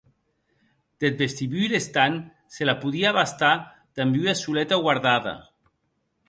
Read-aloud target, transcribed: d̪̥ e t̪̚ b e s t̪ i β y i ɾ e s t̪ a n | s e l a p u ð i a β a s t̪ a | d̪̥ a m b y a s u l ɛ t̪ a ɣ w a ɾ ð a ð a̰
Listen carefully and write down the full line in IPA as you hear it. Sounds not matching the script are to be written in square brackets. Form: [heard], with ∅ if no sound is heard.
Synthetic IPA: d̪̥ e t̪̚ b e s t̪ i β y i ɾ e s t̪ a n | s e l a p u ð i a β a s t̪ a | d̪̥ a m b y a s u l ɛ t̪ a ɣ w a ɾ ð a ð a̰